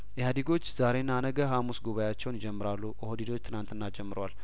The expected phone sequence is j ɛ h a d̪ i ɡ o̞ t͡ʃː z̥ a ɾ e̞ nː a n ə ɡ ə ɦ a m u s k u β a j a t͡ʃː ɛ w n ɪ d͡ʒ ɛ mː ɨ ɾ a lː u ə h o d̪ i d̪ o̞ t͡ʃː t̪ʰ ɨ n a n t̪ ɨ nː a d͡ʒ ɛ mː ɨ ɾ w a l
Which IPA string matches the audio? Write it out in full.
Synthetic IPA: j ɛ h a d̪ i ɡ o̞ t͡ʃː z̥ a ɾ e̞ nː a n ə ɡ ə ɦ a m u s ɡ u β a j a t͡ʃː ɛ w n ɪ d͡ʒ ɛ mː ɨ ɾ a lː u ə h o d̪ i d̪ o̞ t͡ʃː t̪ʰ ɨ n a n t̪ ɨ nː a d͡ʒ ɛ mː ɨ ɾ w a l